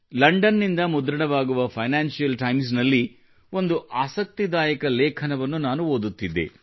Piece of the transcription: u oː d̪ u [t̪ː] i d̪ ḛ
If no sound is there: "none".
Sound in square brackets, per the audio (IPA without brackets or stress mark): t̪ː